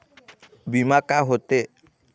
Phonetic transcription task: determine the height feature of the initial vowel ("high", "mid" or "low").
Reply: high